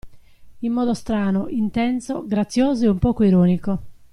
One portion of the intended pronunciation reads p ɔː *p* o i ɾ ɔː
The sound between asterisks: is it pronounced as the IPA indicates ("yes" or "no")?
no